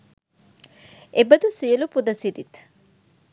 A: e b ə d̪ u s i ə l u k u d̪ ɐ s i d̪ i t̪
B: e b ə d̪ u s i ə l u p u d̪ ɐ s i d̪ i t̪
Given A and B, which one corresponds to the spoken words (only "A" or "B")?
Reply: B